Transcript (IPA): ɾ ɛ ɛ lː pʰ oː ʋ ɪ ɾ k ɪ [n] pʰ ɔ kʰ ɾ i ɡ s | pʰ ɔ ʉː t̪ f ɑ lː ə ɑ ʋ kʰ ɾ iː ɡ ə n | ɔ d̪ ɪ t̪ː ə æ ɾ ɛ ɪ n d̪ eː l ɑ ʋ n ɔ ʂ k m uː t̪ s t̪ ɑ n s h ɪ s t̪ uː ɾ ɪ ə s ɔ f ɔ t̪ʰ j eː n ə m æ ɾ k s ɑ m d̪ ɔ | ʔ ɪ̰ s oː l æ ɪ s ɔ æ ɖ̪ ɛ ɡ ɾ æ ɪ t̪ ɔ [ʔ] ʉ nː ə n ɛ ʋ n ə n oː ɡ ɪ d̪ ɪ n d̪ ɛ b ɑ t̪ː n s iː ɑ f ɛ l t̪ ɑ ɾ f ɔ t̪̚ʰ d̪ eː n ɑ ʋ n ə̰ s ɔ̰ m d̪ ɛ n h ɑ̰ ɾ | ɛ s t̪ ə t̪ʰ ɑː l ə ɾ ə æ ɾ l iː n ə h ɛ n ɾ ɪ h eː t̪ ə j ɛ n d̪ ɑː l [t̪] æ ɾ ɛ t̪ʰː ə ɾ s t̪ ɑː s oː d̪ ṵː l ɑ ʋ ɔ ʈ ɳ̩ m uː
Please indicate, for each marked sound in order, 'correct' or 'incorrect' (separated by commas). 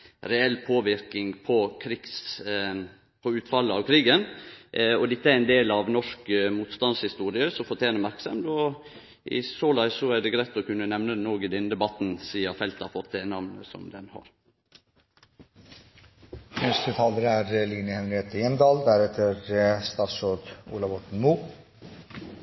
incorrect, incorrect, incorrect